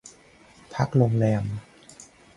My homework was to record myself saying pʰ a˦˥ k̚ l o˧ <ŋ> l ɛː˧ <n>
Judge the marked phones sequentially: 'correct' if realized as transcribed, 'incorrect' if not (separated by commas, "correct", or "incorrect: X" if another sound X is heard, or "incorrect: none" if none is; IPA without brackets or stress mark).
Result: correct, incorrect: m